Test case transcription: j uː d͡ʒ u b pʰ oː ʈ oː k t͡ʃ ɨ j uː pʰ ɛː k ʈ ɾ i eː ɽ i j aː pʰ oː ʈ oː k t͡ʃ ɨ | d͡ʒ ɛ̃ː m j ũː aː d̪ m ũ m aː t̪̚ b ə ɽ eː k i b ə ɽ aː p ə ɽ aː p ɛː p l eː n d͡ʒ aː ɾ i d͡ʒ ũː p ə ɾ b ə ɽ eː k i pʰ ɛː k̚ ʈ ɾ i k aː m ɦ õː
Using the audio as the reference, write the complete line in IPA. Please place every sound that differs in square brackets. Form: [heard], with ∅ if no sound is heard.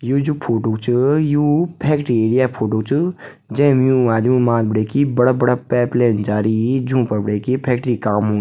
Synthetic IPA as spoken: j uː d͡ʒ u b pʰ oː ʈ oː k t͡ʃ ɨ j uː pʰ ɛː k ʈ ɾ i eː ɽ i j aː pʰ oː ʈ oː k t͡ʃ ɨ | d͡ʒ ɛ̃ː m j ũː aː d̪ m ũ m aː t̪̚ b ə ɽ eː k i b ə ɽ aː [b] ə ɽ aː p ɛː p l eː n d͡ʒ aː ɾ i d͡ʒ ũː p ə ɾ b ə ɽ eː k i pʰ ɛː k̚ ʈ ɾ i k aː m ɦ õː